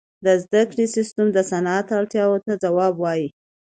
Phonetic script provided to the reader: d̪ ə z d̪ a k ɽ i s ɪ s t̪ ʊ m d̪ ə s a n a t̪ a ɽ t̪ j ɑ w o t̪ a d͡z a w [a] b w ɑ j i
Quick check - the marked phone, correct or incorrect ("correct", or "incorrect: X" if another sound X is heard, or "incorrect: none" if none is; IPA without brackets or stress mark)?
incorrect: ɑ